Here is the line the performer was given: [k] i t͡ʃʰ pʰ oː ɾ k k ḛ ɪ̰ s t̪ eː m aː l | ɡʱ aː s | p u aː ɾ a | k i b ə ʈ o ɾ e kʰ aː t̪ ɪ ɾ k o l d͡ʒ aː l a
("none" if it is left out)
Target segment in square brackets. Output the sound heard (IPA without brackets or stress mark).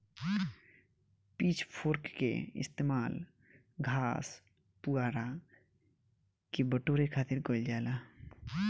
p